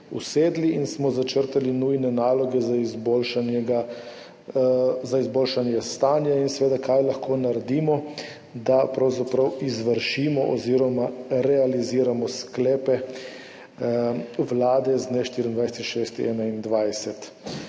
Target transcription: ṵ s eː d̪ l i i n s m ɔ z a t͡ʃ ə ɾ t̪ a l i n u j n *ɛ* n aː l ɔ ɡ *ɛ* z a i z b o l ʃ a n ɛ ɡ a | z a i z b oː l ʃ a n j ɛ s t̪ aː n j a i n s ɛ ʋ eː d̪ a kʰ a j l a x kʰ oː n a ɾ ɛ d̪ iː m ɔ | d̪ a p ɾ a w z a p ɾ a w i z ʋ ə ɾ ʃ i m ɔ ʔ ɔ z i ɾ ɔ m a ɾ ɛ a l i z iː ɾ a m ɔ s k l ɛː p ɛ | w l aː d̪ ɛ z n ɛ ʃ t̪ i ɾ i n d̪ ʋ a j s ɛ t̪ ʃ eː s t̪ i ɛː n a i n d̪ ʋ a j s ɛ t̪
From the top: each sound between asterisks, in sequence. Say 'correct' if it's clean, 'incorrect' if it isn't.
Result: correct, correct

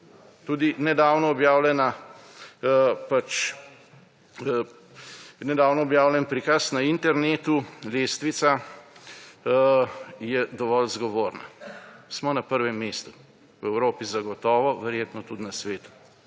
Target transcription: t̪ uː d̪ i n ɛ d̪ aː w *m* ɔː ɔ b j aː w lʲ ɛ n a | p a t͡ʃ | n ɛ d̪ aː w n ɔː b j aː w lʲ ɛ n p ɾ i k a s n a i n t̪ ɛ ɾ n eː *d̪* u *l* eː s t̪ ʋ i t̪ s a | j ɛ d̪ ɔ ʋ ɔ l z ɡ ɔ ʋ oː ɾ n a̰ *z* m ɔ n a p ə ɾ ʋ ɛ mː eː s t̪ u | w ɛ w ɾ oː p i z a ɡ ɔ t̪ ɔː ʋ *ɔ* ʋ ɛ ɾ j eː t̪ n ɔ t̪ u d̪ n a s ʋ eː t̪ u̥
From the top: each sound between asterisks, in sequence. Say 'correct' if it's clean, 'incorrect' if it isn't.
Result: incorrect: n, incorrect: t̪, correct, incorrect: s, correct

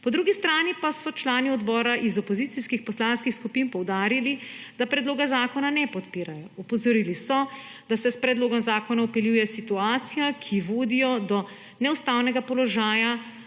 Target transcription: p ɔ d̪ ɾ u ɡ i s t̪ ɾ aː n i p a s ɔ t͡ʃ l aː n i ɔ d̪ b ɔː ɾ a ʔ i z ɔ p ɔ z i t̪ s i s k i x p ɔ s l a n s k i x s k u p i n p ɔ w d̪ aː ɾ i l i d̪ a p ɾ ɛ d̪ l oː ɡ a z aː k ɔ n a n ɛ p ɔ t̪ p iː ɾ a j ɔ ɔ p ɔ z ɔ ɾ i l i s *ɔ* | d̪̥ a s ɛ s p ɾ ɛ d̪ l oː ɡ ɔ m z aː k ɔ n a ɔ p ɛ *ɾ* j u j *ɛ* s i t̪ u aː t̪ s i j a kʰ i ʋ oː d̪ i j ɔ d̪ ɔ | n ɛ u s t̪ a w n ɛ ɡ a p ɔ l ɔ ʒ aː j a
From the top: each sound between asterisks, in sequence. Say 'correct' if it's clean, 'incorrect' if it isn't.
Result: correct, incorrect: l, correct

